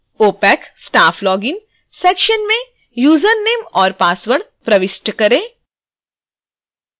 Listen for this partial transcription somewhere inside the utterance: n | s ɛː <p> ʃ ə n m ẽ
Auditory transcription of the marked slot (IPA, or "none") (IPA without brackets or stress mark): k